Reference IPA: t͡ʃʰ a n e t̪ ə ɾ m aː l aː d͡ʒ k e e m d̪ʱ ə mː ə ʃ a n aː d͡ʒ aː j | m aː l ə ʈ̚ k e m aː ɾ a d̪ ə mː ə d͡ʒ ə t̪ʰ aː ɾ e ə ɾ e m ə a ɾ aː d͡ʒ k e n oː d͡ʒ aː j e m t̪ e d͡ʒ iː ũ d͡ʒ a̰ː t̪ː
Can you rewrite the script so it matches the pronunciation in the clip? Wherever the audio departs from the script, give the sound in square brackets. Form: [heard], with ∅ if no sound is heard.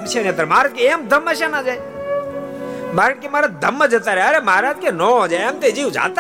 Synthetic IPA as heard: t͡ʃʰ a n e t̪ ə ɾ m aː [ɾ] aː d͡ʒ k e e m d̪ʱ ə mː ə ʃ a n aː d͡ʒ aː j | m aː [ɾ] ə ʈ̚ k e m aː ɾ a d̪ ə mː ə d͡ʒ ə [t̪] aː ɾ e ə ɾ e m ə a ɾ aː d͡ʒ k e n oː d͡ʒ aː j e m t̪ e d͡ʒ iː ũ d͡ʒ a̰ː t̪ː